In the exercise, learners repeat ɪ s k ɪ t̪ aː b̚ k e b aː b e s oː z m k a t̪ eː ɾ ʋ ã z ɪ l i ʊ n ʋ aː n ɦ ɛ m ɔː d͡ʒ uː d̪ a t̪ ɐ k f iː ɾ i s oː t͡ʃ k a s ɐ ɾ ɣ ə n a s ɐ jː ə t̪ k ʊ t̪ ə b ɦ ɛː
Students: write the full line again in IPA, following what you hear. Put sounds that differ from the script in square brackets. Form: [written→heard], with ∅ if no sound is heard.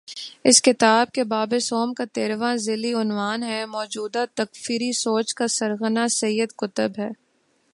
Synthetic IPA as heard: ɪ s k ɪ t̪ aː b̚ k e b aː b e s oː [z→∅] m k a t̪ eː ɾ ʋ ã z ɪ l i ʊ n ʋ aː n ɦ ɛ m ɔː d͡ʒ uː d̪ a t̪ ɐ k f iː ɾ i s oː t͡ʃ k a s ɐ ɾ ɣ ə n a s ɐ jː ə [t̪→d̪] k ʊ t̪ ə b ɦ ɛː